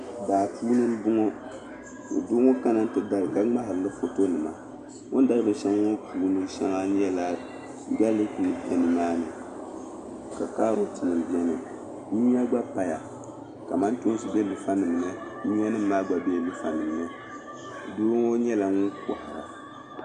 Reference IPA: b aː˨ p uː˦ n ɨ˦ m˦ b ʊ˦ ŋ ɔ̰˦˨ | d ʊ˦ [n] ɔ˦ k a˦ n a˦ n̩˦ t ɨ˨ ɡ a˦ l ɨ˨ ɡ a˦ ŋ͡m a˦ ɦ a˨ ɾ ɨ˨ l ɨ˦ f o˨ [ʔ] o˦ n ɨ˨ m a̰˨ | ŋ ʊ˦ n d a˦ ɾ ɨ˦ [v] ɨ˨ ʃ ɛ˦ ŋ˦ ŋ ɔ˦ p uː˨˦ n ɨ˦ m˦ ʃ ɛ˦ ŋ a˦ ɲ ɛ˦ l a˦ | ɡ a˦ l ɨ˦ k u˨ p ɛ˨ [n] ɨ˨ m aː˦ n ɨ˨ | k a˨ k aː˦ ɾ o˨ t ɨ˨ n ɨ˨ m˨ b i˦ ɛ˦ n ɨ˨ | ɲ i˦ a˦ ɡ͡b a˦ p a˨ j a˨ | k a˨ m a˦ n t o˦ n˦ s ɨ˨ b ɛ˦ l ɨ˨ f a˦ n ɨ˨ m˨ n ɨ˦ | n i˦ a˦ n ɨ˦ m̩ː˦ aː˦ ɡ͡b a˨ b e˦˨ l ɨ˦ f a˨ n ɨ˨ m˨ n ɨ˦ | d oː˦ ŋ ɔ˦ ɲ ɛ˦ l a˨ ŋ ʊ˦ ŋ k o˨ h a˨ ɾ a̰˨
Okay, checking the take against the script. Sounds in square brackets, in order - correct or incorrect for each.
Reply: incorrect: ŋ, incorrect: t, incorrect: b, correct

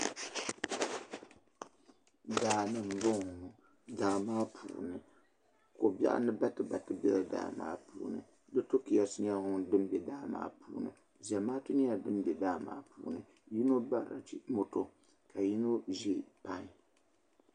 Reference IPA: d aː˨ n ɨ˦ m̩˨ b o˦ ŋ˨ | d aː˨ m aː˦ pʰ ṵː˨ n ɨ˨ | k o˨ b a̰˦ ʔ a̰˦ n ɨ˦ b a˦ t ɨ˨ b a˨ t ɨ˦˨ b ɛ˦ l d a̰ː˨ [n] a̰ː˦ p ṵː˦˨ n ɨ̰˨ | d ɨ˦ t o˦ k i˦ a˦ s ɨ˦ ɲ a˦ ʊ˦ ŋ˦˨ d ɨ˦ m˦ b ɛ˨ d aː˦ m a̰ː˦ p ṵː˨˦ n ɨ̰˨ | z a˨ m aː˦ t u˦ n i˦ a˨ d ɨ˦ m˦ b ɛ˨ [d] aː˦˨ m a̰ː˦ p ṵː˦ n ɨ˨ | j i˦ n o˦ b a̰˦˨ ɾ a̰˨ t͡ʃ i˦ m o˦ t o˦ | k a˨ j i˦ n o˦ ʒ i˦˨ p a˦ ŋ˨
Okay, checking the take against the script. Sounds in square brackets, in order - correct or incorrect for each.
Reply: incorrect: m, correct

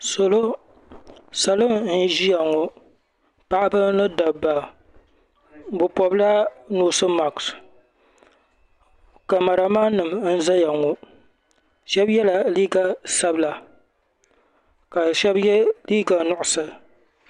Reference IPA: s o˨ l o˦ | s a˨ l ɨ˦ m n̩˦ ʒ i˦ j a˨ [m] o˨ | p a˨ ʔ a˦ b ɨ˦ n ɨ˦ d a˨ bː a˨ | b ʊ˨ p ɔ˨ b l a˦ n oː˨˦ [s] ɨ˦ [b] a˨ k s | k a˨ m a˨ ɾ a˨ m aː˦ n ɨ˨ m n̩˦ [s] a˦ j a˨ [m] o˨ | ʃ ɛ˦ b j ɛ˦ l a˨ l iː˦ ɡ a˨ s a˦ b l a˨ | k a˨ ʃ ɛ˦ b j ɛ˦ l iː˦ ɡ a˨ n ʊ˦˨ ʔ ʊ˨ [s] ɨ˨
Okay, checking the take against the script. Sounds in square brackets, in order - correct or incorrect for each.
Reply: incorrect: ŋ, correct, incorrect: m, incorrect: z, incorrect: ŋ, correct

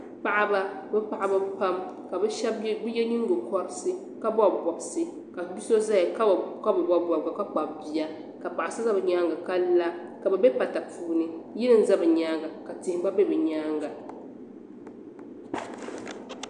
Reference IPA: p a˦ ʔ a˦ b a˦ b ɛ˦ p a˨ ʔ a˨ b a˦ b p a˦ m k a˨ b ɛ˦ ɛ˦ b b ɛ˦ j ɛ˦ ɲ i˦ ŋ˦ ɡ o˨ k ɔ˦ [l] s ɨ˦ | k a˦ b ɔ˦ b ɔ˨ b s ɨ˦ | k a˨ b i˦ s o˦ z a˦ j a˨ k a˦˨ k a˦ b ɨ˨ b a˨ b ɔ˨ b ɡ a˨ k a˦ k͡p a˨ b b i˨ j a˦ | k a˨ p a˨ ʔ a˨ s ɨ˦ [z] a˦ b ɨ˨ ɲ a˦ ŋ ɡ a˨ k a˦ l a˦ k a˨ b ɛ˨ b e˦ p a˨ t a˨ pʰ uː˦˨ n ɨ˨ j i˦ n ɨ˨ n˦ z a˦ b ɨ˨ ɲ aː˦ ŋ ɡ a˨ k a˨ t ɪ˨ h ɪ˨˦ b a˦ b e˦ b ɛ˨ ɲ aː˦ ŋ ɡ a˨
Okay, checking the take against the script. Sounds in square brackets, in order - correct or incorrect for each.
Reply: incorrect: ɾ, correct

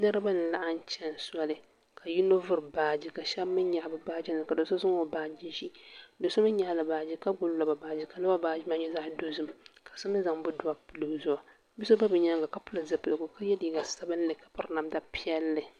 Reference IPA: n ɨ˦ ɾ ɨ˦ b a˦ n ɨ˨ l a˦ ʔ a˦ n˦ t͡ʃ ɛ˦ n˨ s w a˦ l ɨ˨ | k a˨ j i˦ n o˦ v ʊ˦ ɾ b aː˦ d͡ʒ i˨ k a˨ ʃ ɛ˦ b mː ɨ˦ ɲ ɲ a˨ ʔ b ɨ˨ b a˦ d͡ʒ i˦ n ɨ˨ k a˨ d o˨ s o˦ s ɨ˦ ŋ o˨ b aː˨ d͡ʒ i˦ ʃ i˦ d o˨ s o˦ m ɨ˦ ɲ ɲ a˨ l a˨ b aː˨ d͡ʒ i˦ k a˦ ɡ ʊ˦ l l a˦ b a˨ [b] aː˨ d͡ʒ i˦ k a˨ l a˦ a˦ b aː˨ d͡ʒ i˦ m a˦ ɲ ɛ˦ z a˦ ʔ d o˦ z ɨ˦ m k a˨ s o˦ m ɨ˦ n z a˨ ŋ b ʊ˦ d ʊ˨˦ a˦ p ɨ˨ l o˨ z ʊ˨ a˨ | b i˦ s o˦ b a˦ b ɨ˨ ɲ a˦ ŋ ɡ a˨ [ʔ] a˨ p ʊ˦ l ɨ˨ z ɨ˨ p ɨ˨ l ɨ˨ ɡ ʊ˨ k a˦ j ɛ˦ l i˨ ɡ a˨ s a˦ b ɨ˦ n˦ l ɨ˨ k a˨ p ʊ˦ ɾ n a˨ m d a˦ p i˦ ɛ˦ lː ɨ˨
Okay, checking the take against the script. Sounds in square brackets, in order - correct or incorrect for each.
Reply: correct, incorrect: k

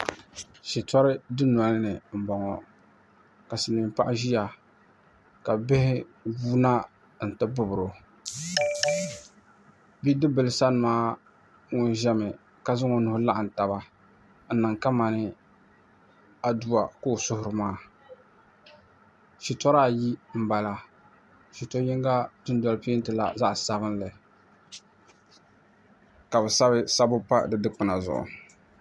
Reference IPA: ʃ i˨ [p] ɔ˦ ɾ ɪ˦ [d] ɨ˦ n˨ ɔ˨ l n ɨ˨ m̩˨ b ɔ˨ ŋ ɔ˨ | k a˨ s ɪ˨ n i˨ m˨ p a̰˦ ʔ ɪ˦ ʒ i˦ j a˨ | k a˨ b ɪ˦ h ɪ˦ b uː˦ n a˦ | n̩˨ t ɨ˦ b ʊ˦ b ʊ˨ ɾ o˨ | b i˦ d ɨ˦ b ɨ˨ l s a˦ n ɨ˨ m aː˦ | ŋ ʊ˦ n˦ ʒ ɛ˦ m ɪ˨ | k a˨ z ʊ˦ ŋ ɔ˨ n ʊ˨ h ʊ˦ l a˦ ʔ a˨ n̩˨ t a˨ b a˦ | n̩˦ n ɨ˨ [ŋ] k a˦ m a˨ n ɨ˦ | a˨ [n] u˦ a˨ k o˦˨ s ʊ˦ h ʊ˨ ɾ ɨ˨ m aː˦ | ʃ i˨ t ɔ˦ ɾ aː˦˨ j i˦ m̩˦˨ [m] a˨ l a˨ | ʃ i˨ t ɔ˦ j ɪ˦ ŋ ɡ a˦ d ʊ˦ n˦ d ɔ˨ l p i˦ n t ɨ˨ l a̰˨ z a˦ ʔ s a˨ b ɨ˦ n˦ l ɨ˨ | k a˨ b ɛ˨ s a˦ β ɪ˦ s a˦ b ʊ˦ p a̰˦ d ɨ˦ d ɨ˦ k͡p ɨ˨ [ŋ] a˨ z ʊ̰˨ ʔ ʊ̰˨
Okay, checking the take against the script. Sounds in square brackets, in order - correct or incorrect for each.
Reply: incorrect: t, correct, correct, incorrect: d, incorrect: b, incorrect: n

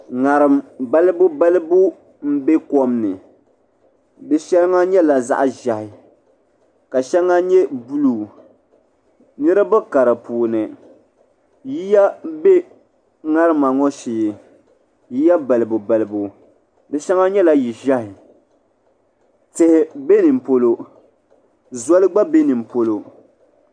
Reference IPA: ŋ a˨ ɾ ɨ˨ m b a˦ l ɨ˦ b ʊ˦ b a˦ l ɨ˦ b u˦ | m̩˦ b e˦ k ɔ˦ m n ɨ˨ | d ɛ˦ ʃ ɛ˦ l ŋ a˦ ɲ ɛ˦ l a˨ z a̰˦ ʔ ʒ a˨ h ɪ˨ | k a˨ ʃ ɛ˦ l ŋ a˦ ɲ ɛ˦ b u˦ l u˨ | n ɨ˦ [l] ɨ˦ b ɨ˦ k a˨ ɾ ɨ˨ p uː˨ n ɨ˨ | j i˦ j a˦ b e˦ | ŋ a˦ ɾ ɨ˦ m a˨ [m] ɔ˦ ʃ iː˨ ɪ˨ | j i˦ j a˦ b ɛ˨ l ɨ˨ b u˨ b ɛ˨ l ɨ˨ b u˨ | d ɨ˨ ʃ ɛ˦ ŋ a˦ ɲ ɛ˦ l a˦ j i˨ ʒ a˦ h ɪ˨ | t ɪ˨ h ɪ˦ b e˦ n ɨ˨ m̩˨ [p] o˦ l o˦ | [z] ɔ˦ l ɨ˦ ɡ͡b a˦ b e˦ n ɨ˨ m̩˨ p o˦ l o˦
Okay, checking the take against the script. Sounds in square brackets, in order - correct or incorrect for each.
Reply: incorrect: ɾ, incorrect: ŋ, correct, correct

